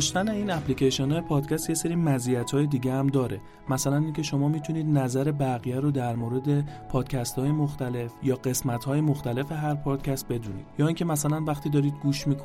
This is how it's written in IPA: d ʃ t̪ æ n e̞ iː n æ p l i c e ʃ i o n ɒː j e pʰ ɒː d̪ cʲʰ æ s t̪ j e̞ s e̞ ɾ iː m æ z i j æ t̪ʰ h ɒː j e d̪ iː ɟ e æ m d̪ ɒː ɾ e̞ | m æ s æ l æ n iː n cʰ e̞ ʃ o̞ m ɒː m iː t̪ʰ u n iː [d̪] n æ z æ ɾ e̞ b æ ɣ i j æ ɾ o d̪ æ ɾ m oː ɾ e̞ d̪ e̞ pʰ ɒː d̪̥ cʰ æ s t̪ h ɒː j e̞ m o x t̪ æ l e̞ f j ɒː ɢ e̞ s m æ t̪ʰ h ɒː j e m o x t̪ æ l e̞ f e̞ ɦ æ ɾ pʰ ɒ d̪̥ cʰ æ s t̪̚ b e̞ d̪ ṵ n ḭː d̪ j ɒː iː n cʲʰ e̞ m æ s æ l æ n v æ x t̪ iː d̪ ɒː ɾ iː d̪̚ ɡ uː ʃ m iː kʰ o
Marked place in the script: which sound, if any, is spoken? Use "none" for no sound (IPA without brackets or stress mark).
d̪